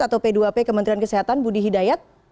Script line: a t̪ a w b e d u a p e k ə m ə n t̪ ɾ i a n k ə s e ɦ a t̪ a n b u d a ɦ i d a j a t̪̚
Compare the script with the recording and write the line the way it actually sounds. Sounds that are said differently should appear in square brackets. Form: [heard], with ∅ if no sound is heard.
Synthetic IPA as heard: a t̪ a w [p] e d u a p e k ə m ə n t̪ ɾ i a n k ə s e ɦ a t̪ a n b u d [i] ɦ i d a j a t̪̚